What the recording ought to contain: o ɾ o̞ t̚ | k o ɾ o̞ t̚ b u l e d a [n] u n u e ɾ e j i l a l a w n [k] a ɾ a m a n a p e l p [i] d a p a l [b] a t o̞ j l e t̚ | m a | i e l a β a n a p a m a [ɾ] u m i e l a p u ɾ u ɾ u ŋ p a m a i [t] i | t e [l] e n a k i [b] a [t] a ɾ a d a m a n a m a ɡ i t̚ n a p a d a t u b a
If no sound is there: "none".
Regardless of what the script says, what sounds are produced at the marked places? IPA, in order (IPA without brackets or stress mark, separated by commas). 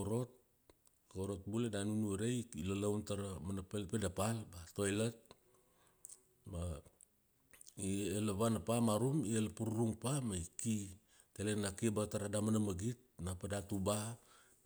n, t, e, b, ɾ, k, l, b, t